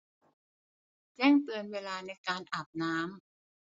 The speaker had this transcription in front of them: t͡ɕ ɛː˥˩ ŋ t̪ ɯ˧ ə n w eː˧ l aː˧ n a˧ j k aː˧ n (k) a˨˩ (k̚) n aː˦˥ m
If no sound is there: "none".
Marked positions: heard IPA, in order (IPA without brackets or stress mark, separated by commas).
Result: ʔ, p̚